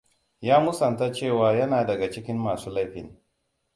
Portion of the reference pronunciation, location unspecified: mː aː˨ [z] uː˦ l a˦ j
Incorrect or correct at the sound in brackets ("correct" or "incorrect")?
incorrect